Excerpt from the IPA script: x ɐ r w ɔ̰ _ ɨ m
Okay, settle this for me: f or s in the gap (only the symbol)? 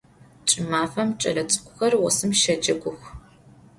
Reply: s